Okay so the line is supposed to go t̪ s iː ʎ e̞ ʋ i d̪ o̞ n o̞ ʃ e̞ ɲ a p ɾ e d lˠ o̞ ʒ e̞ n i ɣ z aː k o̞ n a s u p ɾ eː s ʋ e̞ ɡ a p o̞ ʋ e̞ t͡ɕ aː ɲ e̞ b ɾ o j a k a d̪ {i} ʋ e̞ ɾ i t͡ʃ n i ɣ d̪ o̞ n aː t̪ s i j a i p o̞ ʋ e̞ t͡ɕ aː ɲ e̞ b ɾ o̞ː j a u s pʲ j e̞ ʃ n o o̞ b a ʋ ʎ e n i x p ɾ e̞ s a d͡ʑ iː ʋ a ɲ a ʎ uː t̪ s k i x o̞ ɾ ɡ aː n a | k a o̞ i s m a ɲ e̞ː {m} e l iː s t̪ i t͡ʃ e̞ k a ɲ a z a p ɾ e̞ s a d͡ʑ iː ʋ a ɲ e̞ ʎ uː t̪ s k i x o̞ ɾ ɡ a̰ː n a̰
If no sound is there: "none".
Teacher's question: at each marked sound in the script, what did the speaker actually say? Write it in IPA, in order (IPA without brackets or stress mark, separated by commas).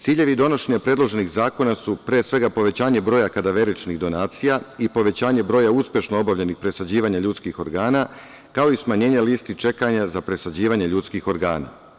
a, ɲ